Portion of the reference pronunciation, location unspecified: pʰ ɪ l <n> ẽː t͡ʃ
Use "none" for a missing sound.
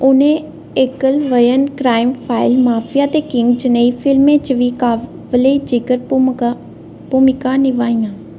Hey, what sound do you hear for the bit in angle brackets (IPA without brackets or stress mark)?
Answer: m